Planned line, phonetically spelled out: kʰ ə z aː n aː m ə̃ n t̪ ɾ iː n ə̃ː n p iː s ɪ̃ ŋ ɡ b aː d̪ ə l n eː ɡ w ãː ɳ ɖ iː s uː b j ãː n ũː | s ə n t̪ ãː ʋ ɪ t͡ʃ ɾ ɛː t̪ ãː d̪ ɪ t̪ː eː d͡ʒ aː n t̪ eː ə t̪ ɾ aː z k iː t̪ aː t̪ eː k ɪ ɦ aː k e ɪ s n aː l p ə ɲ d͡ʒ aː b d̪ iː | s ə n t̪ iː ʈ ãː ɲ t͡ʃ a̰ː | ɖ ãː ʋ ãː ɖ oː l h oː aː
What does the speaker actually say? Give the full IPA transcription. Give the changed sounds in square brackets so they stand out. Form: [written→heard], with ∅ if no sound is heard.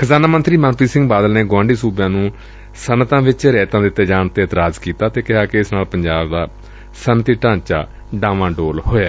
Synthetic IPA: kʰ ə z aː n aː m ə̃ n t̪ ɾ iː [n→m] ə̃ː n p iː s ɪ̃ ŋ ɡ b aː d̪ ə l n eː ɡ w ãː ɳ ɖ iː s uː b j ãː n ũː | s ə n t̪ ãː ʋ ɪ t͡ʃ ɾ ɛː t̪ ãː d̪ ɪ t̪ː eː d͡ʒ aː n t̪ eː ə t̪ ɾ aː z k iː t̪ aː t̪ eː k ɪ ɦ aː k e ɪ s n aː l p ə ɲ d͡ʒ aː b d̪ [iː→aː] | s ə n t̪ iː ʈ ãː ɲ t͡ʃ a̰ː | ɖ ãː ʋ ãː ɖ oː l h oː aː